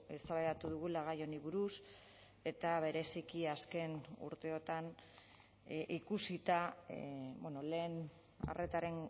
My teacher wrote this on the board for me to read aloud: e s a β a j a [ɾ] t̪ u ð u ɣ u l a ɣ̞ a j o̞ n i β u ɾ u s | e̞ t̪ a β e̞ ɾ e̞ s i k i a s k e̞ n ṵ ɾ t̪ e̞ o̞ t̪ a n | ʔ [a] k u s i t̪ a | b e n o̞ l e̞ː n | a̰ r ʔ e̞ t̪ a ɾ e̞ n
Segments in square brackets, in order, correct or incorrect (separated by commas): incorrect, incorrect